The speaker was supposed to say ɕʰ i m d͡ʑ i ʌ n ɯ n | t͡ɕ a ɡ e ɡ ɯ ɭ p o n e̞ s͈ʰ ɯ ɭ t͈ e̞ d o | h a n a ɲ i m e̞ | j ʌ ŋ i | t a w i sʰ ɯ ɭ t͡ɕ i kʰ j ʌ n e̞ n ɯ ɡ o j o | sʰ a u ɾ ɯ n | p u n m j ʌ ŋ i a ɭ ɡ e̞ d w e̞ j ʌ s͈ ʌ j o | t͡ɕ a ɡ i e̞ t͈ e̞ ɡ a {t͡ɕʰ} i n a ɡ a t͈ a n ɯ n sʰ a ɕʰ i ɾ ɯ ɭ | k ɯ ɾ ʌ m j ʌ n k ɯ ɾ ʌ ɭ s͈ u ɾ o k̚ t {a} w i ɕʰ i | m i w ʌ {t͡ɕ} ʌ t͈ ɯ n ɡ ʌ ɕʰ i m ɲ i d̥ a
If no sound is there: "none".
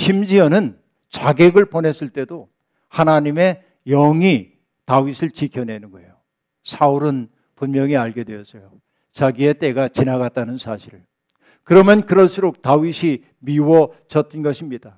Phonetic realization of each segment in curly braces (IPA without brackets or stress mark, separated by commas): t͡ɕ, a, t͡ɕ